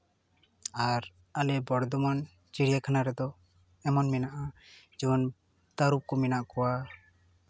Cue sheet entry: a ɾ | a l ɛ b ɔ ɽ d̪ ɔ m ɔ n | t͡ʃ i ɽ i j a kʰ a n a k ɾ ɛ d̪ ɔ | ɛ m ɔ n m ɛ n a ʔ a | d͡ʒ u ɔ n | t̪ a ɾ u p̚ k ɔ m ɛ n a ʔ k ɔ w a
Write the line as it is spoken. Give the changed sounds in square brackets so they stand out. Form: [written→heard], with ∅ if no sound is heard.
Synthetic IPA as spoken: a ɾ | a l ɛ b ɔ ɽ d̪ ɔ m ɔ n | t͡ʃ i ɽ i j a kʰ a n a [k→∅] ɾ ɛ d̪ ɔ | ɛ m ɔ n m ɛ n a ʔ a | d͡ʒ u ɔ n | t̪ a ɾ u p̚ k ɔ m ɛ n a ʔ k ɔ w a